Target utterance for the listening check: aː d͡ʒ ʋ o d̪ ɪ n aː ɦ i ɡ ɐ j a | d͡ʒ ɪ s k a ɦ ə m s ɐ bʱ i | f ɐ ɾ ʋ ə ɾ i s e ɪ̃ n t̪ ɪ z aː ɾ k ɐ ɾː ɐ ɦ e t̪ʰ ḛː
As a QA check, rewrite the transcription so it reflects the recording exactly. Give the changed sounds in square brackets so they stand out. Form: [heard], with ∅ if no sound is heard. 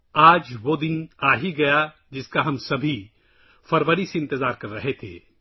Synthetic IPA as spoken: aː d͡ʒ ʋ o d̪ ɪ n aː ɦ i ɡ ɐ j a | d͡ʒ ɪ s k a ɦ [ɐ] m s ɐ bʱ i | f ɐ ɾ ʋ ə ɾ i s e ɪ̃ n t̪ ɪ z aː ɾ k ɐ ɾː ɐ ɦ e t̪ʰ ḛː

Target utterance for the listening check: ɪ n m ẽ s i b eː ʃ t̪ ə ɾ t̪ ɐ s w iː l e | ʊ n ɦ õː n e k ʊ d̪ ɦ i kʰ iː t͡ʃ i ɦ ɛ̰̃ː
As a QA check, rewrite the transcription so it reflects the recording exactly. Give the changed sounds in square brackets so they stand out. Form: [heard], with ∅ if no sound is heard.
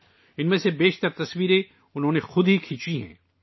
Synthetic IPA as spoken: ɪ n m ẽ s [e] b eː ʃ t̪ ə ɾ t̪ ɐ s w iː [ɾ] e | ʊ n ɦ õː n e [x] ʊ d̪ ɦ i kʰ iː t͡ʃ i ɦ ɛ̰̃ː

